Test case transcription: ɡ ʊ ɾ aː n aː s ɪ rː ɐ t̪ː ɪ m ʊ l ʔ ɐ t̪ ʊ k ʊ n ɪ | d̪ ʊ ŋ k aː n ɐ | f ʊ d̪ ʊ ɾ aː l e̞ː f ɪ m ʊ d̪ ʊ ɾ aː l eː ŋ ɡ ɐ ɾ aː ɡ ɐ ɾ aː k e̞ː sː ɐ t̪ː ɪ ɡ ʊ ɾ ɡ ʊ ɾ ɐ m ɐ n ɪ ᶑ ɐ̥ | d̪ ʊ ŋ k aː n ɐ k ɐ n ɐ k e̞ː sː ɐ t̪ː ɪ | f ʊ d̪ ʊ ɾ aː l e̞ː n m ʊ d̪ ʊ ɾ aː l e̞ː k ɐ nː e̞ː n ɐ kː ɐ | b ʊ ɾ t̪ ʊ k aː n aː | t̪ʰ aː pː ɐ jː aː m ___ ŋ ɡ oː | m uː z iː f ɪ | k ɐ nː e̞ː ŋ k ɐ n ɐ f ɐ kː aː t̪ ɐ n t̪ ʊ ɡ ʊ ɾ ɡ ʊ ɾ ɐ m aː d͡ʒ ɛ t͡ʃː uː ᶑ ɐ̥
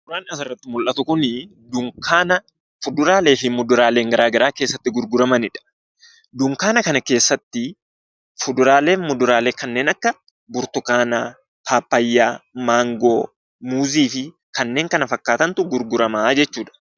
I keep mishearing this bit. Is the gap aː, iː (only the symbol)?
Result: aː